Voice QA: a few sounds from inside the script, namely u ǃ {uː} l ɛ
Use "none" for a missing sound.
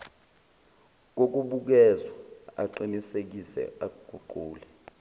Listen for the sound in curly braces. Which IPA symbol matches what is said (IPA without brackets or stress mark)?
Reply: uː